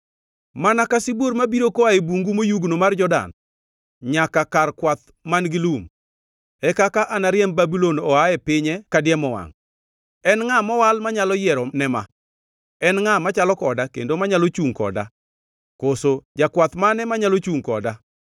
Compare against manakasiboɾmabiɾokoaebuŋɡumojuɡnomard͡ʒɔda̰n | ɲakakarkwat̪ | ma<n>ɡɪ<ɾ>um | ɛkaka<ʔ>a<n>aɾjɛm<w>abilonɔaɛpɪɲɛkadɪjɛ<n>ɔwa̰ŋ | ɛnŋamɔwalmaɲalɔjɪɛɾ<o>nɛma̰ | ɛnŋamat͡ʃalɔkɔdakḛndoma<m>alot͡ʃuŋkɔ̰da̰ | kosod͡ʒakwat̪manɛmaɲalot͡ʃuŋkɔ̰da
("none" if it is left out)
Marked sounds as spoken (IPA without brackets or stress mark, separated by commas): n, l, ʔ, n, b, m, ɔ, ɲ